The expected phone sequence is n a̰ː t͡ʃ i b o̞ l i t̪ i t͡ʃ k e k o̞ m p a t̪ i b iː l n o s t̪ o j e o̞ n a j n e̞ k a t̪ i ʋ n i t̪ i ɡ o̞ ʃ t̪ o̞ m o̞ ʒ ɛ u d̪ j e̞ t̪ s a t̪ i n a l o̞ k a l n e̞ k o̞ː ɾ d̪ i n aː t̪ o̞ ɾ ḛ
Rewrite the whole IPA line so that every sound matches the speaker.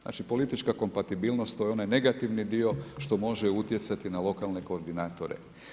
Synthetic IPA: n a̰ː t͡ʃ i p o̞ l i t̪ i t͡ʃ k a k o̞ m p a t̪ i b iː l n o s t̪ o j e o̞ n a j n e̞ ɡ a t̪ i ʋ n i d̪ i o̞ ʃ t̪ o̞ m o̞ ʒ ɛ u t̪ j e̞ t̪ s a t̪ i n a l o̞ k a l n e̞ k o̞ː ɾ d̪ i n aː t̪ o̞ ɾ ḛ